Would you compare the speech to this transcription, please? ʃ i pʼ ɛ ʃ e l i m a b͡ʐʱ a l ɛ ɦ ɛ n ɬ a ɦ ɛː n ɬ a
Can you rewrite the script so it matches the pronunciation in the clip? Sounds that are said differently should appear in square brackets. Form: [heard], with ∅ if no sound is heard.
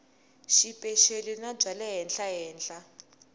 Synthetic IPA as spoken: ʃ i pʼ ɛ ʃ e l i [n] a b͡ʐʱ a l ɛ ɦ ɛ n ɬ a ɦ ɛː n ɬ a